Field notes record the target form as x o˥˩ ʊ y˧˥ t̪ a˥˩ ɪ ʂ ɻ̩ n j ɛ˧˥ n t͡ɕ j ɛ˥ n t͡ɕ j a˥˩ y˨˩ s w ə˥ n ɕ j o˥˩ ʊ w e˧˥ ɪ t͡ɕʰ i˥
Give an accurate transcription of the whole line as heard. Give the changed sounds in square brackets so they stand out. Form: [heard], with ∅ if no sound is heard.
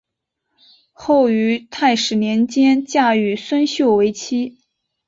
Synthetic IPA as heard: x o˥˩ ʊ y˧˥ [t̪ʰ] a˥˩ ɪ ʂ ɻ̩ n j ɛ˧˥ n t͡ɕ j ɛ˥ n t͡ɕ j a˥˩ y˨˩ s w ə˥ n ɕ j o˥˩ ʊ w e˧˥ ɪ t͡ɕʰ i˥